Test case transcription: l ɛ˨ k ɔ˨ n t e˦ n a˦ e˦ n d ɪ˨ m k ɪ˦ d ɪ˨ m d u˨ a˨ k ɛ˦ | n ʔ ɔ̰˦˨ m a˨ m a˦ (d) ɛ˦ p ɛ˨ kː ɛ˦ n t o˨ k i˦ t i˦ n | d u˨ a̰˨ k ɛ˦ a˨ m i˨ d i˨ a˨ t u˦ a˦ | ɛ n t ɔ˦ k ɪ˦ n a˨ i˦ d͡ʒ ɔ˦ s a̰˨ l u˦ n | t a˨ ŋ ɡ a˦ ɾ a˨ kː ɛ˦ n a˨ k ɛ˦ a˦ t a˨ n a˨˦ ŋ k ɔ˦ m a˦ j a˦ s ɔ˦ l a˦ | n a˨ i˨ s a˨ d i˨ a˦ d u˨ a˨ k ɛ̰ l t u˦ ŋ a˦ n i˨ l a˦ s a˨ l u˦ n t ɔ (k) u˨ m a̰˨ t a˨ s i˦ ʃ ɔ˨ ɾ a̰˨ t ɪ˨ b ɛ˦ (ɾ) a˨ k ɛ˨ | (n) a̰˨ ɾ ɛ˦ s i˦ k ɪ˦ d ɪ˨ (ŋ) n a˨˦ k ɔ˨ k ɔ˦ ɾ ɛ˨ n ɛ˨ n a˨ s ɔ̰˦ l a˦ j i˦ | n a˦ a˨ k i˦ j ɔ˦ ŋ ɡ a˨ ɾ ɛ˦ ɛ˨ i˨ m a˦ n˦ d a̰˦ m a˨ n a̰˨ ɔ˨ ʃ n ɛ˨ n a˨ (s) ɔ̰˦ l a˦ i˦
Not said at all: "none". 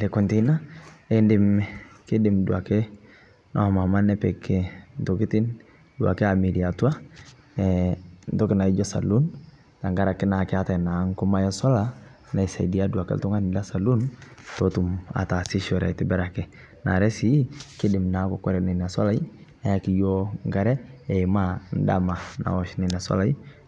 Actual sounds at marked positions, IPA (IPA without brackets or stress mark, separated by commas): n, t, ɾ, n, m, s